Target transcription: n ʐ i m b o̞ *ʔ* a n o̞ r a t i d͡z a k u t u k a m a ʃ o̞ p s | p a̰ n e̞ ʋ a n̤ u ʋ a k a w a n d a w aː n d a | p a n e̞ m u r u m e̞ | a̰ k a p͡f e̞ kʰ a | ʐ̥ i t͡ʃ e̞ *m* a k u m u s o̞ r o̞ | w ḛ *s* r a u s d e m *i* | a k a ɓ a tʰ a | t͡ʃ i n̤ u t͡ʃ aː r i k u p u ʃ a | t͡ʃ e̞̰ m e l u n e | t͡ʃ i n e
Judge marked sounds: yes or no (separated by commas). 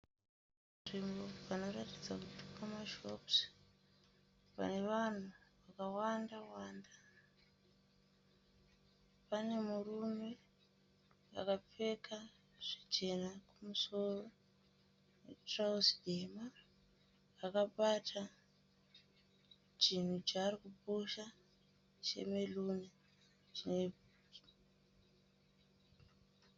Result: no, no, no, no